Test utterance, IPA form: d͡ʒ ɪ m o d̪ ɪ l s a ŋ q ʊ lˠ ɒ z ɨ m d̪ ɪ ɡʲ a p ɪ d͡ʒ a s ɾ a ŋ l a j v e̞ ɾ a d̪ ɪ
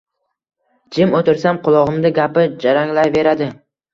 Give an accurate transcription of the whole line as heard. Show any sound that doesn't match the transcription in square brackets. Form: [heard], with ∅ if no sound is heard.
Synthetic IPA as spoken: d͡ʒ ɪ m o [t̪] ɪ [ɾ] s a [m] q ʊ lˠ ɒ [ʁ] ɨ m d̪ ɪ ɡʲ a p ɪ d͡ʒ a [∅] ɾ a ŋ l a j v e̞ ɾ a d̪ ɪ